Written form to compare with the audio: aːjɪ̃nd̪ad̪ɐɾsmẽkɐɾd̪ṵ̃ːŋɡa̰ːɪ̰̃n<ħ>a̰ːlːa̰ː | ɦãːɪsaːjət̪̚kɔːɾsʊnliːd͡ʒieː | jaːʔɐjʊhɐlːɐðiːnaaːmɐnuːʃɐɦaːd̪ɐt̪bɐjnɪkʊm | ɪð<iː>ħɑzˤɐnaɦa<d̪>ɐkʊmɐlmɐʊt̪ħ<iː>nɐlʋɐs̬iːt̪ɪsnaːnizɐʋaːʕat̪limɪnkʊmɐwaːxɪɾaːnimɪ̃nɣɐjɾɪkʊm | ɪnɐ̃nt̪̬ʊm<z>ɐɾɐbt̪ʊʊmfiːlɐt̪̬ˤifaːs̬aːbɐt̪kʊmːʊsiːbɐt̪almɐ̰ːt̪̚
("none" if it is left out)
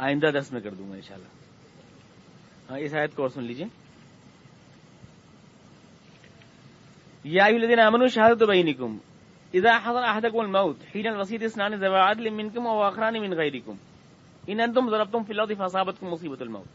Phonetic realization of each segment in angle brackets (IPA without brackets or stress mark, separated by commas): ʃ, aː, d̪, iː, z